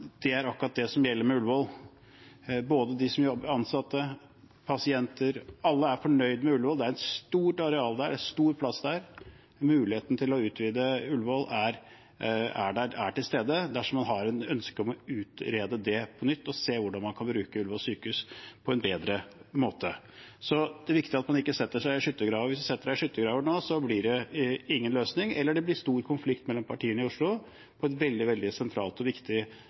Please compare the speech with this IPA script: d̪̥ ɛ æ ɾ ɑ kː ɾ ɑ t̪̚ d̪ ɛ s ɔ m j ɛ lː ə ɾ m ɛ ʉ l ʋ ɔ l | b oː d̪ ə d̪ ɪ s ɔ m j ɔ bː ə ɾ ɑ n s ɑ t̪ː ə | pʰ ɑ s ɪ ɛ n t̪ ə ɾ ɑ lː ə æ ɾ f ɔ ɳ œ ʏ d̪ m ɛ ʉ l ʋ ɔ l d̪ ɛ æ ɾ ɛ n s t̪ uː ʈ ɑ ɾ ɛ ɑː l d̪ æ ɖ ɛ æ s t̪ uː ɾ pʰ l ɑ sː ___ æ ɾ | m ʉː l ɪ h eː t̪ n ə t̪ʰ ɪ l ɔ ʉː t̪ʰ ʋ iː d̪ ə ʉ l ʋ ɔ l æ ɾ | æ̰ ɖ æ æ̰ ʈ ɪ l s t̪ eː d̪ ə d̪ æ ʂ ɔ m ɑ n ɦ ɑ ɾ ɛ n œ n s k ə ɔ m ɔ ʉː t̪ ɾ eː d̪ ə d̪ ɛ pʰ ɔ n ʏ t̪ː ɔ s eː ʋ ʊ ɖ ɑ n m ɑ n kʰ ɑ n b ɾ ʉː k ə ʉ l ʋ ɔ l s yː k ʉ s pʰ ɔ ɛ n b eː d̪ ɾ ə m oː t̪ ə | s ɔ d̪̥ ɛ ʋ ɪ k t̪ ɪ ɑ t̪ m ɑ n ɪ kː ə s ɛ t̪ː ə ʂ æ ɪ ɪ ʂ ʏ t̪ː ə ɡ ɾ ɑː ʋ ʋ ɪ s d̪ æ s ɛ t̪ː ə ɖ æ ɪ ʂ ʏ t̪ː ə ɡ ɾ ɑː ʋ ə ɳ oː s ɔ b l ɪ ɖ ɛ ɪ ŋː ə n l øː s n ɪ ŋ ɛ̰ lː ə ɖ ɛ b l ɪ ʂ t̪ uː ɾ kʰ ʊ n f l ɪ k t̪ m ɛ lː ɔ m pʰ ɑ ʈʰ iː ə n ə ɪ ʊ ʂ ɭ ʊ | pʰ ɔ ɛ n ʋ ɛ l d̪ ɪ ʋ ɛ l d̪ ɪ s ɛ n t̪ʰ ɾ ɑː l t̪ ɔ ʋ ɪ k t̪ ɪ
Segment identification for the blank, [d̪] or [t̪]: d̪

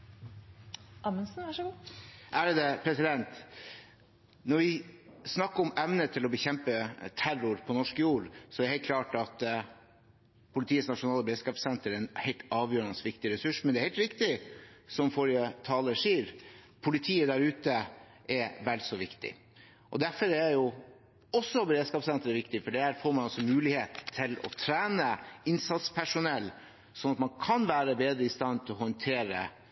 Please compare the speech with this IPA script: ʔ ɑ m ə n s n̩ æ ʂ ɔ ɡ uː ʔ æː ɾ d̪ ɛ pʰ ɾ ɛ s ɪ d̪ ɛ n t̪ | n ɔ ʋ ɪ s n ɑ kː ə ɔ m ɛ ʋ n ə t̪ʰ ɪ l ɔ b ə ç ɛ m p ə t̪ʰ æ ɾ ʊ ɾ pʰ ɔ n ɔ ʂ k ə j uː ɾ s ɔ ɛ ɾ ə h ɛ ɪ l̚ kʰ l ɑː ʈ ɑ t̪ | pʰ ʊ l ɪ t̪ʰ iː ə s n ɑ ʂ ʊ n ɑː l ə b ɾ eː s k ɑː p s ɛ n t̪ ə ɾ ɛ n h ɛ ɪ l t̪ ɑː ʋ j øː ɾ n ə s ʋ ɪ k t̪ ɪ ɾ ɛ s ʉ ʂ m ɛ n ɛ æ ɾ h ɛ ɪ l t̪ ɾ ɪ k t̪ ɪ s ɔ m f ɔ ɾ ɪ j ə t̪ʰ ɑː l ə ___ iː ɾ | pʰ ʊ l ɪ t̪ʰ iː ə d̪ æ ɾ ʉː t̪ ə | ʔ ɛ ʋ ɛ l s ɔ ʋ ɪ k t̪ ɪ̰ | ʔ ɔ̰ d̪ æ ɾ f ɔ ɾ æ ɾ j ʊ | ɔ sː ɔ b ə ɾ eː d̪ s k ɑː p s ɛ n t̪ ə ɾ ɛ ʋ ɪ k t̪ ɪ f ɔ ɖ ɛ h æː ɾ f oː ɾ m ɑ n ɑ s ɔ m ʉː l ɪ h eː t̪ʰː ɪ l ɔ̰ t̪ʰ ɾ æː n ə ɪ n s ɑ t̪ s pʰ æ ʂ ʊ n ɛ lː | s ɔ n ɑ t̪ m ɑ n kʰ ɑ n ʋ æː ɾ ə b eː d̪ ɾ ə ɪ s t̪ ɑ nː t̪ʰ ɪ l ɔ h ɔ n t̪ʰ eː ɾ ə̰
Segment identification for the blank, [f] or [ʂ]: ʂ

